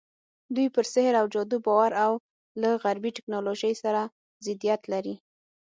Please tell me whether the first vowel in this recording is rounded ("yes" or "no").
yes